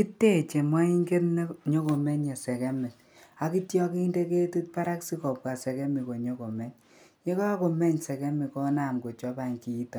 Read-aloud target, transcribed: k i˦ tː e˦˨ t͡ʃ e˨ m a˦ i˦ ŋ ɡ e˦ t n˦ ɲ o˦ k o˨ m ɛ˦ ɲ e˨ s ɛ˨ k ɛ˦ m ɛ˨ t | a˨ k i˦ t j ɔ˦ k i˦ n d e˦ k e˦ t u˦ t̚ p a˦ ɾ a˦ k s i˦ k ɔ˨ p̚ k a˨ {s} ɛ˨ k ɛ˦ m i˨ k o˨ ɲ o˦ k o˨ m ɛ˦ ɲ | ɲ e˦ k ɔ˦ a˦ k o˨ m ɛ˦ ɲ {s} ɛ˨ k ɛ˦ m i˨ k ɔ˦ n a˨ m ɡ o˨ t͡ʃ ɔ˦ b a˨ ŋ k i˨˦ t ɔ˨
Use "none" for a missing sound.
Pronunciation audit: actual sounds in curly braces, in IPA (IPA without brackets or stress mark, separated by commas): s, s